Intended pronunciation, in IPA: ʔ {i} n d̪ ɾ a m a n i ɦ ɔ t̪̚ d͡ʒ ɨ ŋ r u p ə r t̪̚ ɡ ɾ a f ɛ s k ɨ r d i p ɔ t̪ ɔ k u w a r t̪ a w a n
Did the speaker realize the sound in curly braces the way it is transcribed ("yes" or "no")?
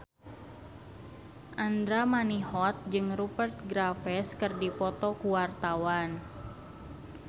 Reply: no